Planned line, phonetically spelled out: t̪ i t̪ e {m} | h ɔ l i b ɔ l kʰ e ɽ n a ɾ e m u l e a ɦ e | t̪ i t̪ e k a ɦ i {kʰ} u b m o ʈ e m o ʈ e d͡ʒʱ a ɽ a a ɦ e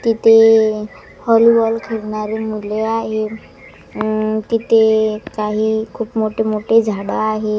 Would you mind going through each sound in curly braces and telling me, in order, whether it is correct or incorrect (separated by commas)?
incorrect, correct